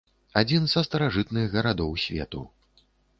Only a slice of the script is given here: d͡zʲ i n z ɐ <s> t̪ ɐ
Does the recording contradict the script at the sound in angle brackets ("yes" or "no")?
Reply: no